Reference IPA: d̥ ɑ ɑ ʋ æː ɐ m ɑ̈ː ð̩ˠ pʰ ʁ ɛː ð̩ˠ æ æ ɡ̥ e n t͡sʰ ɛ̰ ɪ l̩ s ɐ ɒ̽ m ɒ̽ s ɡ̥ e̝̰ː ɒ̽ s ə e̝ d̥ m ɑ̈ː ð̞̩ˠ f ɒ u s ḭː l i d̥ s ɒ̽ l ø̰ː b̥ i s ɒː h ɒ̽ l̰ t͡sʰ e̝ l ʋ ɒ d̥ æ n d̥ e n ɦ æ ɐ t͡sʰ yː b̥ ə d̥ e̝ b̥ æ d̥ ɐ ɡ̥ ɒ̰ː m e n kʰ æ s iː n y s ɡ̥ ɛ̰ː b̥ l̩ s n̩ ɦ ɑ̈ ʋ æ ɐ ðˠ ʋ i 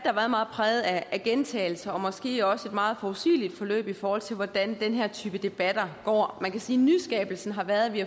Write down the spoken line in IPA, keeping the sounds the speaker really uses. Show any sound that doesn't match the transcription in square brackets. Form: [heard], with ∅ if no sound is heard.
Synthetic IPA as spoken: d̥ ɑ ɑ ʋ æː ɐ m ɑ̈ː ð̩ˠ pʰ ʁ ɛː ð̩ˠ æ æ ɡ̥ e n t͡sʰ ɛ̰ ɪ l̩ s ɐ ɒ̽ m ɒ̽ s ɡ̥ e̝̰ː ɒ̽ s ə e̝ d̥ m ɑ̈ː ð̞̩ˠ f ɒ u s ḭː l i d̥ [f] ɒ̽ l ø̰ː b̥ i [f] ɒː h ɒ̽ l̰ t͡sʰ e̝ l ʋ ɒ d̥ æ n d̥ e n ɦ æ ɐ t͡sʰ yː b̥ ə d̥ e̝ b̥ æ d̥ ɐ ɡ̥ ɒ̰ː m [æ] n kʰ æ s iː n y s ɡ̥ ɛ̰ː b̥ l̩ s n̩ ɦ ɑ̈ ʋ æ ɐ ðˠ ʋ i